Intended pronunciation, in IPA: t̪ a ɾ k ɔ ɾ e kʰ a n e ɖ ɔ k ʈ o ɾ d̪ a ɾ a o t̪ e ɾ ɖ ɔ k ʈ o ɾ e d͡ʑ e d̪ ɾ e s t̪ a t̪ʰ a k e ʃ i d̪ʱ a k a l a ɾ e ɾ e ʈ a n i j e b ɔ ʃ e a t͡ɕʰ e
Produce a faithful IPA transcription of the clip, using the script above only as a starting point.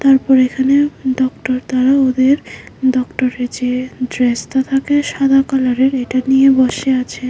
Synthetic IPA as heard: t̪ a ɾ p ɔ ɾ e kʰ a n e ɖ ɔ k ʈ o ɾ t̪ a ɾ a o d̪ e ɾ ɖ ɔ k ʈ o ɾ e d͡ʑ e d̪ ɾ e s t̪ a t̪ʰ a k e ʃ a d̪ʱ a k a l a ɾ e ɾ e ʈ a n i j e b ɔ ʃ e a t͡ɕʰ e